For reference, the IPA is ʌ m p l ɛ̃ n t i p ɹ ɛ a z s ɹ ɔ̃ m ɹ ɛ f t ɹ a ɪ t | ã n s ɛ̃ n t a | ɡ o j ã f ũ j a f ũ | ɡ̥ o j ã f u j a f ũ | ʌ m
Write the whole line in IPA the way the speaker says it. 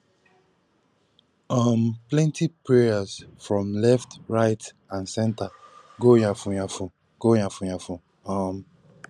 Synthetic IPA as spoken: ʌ m p l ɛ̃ n t i p ɹ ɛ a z f ɹ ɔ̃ m l ɛ f t ɹ a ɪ t | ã n s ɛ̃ n t a | ɡ o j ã f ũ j a f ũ | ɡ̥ o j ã f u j a f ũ | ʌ m